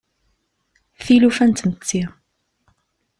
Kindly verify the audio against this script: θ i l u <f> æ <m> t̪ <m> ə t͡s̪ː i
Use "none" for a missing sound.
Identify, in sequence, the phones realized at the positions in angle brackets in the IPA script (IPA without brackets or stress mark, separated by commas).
f, n, m